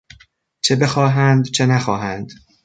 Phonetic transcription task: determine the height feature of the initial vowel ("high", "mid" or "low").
mid